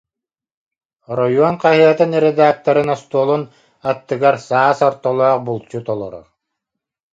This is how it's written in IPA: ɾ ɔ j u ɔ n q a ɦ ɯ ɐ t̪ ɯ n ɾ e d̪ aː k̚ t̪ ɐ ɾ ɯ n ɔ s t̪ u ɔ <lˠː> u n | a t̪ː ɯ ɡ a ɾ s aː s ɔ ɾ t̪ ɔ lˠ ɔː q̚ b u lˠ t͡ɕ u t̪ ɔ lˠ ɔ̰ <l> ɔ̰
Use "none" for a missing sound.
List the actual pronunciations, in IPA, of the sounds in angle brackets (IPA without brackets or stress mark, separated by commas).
lˠ, ɾ